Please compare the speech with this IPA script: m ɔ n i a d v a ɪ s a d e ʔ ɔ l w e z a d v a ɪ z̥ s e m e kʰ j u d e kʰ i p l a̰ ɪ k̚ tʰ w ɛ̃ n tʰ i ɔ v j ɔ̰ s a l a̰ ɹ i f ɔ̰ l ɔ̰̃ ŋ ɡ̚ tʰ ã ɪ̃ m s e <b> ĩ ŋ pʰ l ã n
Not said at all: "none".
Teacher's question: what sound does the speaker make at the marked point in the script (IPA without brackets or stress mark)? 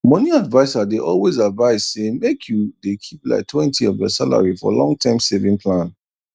v